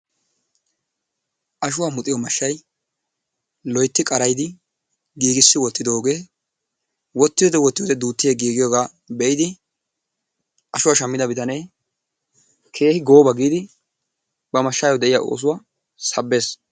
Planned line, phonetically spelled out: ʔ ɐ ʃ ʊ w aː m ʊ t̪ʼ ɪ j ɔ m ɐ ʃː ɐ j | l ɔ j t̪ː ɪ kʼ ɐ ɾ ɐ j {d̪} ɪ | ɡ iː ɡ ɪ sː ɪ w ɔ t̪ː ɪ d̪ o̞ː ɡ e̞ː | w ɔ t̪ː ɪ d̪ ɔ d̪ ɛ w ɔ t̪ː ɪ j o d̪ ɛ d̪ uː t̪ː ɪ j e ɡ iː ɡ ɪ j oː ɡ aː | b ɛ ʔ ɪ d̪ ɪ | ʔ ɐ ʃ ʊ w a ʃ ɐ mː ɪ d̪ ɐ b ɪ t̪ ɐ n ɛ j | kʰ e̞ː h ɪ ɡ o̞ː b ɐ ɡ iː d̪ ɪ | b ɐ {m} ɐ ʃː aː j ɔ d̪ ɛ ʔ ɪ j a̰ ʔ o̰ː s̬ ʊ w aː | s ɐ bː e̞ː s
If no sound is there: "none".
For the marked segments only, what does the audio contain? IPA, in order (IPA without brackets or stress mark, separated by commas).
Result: d̪, m